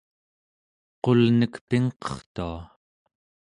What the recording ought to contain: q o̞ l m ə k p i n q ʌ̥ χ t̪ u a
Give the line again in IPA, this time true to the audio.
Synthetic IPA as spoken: q o̞ l n ə k p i ŋ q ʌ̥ χ t̪ u a